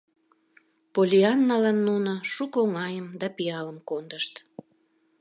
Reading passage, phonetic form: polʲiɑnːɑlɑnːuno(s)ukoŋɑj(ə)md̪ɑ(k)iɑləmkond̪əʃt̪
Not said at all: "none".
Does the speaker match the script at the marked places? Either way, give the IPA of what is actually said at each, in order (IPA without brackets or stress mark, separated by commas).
ʃ, ə, p